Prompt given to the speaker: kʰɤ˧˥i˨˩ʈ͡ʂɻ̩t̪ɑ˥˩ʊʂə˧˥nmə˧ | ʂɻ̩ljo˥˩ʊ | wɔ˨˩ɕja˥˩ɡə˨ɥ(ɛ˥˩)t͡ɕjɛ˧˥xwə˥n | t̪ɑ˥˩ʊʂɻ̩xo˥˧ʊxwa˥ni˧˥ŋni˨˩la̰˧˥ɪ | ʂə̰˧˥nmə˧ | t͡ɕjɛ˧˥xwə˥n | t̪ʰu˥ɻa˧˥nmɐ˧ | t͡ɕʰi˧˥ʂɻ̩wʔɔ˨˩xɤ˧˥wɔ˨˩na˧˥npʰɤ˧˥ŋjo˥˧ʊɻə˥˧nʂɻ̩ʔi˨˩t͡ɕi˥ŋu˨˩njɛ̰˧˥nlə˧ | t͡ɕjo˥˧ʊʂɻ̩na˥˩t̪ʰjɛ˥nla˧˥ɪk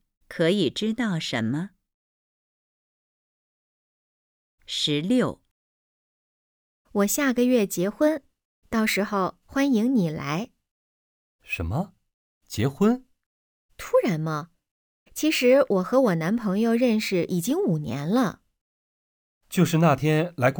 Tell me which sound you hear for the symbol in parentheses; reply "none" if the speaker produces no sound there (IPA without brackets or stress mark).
ɛ˥˩